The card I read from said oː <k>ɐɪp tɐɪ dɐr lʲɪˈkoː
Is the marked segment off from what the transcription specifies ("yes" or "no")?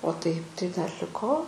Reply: yes